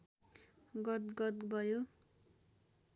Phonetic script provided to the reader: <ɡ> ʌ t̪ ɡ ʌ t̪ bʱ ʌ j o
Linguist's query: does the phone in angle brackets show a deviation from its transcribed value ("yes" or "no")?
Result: no